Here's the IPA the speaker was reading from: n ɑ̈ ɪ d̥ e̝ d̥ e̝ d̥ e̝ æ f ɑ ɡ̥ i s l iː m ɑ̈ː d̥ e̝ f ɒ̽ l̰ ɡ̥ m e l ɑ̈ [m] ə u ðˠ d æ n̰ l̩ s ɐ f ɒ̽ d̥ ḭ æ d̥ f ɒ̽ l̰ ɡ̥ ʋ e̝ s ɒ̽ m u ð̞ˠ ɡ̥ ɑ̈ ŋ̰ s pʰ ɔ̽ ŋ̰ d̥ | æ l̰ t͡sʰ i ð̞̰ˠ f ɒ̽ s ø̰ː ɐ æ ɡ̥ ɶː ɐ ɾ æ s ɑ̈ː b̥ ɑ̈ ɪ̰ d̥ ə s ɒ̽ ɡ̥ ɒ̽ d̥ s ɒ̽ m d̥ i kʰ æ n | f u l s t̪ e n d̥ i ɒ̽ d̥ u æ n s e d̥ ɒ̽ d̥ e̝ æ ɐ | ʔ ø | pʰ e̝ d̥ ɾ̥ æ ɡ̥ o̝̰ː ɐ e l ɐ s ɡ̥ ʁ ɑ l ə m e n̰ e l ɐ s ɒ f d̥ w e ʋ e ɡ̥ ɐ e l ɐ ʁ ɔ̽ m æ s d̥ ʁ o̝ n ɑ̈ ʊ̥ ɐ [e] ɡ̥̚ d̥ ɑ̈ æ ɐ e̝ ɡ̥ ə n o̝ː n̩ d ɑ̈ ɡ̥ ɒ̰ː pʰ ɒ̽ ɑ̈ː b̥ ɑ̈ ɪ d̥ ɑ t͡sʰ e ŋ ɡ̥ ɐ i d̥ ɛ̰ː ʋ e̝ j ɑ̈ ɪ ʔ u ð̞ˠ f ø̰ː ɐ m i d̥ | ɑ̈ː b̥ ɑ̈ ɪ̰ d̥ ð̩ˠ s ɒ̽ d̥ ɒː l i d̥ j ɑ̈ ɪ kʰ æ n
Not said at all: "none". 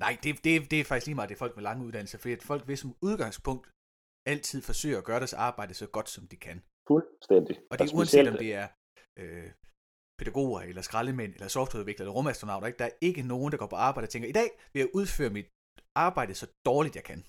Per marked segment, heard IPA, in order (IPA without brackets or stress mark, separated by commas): ŋ, e